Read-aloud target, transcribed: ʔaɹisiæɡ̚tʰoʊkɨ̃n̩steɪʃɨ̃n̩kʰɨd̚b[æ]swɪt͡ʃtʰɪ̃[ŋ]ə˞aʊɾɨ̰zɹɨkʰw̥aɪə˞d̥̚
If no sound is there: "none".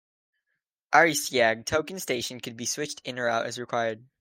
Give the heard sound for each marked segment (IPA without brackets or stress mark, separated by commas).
i, n